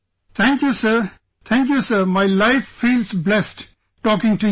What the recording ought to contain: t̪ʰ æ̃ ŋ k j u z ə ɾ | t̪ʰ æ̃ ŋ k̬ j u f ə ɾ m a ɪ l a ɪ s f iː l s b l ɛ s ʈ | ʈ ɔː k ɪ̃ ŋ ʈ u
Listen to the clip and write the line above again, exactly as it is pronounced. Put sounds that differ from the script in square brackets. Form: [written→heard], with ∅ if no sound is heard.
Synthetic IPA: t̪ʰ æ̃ ŋ k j u [z→s] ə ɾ | t̪ʰ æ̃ ŋ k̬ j u [f→s] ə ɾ m a ɪ l a ɪ [s→f] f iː l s b l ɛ s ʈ | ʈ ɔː k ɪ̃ ŋ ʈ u